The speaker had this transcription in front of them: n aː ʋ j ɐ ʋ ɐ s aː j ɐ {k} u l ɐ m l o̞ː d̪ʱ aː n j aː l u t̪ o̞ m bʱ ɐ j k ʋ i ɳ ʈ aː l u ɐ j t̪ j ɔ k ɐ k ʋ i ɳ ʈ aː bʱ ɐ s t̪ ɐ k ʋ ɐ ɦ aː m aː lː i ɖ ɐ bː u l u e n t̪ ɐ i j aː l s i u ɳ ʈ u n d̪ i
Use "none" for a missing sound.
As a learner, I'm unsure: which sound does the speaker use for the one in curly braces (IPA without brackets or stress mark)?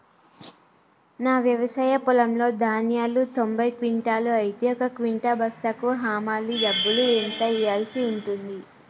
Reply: p